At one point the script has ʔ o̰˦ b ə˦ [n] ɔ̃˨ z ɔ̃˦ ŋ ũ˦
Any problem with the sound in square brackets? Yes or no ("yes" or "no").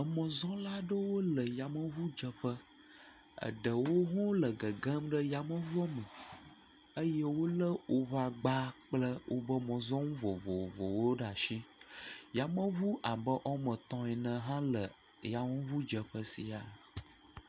yes